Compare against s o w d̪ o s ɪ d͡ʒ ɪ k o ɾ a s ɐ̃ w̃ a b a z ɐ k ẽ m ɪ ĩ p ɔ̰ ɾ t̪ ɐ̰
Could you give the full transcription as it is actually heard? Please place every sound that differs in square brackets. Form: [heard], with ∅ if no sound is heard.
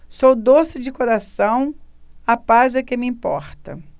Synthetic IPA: s o w d̪ o s ɪ d͡ʒ ɪ k o ɾ a s ɐ̃ w̃ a [p] a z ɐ k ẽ m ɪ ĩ p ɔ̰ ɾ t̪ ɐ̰

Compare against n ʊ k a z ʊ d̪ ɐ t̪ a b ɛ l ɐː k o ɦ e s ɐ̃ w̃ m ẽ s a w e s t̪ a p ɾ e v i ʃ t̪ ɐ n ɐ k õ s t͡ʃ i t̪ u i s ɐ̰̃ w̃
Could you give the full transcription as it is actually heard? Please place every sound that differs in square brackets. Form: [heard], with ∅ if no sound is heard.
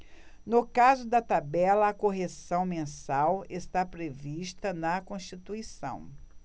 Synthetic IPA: n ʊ k a z ʊ d̪ ɐ t̪ a b ɛ l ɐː k o ɦ e s ɐ̃ w̃ m ẽ s a w e s t̪ a p ɾ e v i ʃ t̪ ɐ n ɐ k õ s t͡ʃ i t̪ u i s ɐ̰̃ w̃

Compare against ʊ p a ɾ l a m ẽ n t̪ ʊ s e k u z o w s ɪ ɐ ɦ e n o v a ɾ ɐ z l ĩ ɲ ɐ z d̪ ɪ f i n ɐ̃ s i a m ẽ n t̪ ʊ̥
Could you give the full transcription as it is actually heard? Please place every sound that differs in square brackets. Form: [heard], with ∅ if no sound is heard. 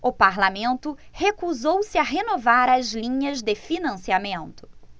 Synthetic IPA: ʊ p a ɾ l a m ẽ n t̪ ʊ [h] e k u z o w s ɪ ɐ ɦ e n o v a ɾ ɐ z l ĩ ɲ ɐ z d̪ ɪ f i n ɐ̃ s i a m ẽ n t̪ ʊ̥

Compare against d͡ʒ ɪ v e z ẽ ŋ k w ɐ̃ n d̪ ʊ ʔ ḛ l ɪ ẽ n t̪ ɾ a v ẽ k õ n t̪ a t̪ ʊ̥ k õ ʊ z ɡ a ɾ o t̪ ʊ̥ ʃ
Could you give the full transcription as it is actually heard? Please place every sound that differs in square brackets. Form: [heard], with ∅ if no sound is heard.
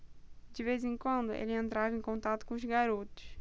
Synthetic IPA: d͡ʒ ɪ v e z ẽ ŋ k w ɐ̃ n d̪ ʊ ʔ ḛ l ɪ ẽ n t̪ ɾ a v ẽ k õ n t̪ a t̪ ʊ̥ k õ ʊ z ɡ a ɾ o t̪ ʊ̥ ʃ

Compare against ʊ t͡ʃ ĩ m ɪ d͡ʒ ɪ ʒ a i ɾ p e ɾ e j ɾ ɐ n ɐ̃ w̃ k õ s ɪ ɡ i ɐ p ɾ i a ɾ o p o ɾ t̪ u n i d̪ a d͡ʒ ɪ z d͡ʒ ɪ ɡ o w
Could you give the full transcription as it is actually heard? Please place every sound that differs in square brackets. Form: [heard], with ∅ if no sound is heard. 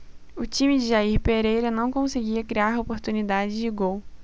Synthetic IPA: ʊ t͡ʃ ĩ m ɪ d͡ʒ ɪ ʒ a i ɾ p e ɾ e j ɾ ɐ n ɐ̃ w̃ k õ s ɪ ɡ i ɐ [k] ɾ i a ɾ o p o ɾ t̪ u n i d̪ a d͡ʒ ɪ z d͡ʒ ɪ ɡ o w

